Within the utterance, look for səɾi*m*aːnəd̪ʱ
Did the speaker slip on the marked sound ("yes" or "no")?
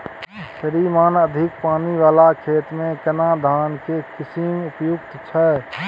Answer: no